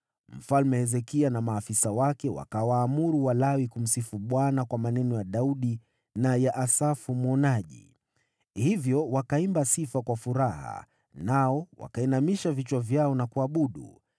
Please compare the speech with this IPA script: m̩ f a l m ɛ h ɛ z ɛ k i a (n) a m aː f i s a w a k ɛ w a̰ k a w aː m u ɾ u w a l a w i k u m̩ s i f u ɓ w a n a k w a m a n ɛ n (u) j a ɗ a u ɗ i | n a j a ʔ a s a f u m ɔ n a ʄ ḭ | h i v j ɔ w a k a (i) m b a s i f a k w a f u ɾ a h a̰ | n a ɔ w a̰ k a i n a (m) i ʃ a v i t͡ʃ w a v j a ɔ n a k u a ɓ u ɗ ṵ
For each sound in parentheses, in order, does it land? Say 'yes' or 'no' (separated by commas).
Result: yes, no, yes, yes